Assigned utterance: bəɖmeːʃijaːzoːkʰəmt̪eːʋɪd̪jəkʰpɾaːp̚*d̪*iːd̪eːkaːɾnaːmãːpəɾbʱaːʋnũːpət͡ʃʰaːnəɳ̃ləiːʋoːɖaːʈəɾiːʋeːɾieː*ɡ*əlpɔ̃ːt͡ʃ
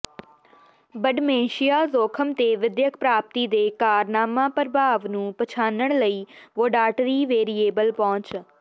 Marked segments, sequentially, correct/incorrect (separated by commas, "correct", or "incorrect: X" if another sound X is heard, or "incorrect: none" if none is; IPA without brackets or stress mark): incorrect: t̪, incorrect: b